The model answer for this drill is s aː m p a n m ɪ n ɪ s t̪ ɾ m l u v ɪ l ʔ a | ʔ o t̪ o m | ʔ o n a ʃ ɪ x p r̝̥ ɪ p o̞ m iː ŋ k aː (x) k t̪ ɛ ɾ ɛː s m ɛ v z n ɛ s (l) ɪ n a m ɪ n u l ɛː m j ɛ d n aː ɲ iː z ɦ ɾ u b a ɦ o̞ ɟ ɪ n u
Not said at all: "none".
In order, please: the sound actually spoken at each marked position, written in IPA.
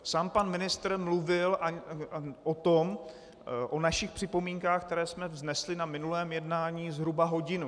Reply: x, l

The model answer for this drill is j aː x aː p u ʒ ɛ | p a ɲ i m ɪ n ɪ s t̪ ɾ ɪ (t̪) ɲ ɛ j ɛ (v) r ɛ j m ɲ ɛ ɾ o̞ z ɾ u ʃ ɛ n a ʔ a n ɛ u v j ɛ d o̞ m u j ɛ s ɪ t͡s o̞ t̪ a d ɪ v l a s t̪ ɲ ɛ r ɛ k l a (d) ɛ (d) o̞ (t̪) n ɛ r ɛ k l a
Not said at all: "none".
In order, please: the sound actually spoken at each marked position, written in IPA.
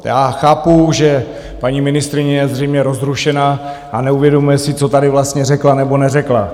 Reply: none, z, n, b, none

